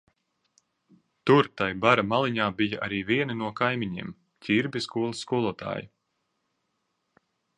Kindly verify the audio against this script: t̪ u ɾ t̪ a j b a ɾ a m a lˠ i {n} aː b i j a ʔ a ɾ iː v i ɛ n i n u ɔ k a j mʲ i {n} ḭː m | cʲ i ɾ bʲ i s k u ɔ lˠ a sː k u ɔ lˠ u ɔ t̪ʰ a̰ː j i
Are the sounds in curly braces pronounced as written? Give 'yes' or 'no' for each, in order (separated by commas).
no, no